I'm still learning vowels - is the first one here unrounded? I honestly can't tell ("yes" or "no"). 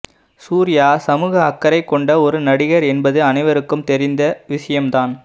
no